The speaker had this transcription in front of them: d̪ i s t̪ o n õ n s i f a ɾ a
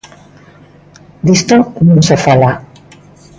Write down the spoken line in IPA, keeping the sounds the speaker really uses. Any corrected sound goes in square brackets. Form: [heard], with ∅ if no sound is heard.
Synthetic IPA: d̪ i s t̪ o n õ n s [e] f a [l] a